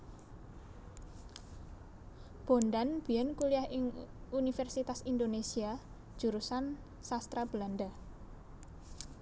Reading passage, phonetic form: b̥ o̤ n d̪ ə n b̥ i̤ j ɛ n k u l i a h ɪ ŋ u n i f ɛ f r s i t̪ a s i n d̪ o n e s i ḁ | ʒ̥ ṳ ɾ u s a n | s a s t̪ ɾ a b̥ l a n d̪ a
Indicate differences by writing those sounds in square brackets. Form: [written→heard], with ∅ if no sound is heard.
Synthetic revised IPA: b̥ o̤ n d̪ [ə→a] n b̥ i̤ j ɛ n k u l i a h ɪ ŋ u n i f ɛ [f→∅] r s i t̪ a s i n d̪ o n e s i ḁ | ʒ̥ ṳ ɾ u s a n | s a s t̪ ɾ a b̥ l a n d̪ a